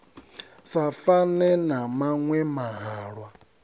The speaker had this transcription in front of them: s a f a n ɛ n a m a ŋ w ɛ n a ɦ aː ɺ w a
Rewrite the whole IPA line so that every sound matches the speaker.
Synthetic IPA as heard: s a f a n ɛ n a m a ŋ w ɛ m a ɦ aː ɺ w a